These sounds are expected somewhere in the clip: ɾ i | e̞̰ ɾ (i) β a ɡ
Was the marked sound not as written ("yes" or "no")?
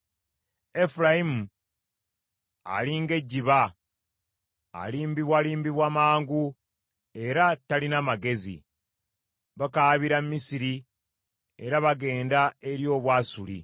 yes